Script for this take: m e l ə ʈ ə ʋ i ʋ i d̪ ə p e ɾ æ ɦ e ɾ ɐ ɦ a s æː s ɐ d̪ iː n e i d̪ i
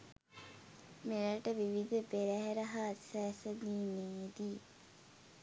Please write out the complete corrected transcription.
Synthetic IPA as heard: m e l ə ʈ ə ʋ i ʋ i d̪ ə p e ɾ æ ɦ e ɾ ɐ ɦ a s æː s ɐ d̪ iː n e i d̪ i